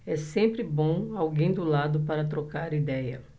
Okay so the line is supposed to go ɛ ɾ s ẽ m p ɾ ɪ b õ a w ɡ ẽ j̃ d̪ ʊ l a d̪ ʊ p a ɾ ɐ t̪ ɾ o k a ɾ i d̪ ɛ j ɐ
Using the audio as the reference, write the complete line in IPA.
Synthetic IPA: ɛ s ẽ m p ɾ ɪ b õ a w ɡ ẽ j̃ d̪ ʊ l a d̪ ʊ p a ɾ ɐ t̪ ɾ o k a ɾ i d̪ ɛ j ɐ